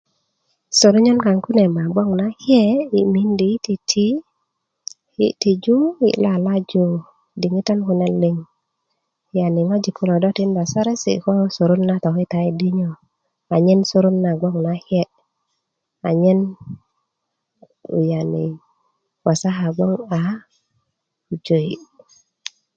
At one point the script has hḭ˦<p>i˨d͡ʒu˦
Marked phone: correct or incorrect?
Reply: incorrect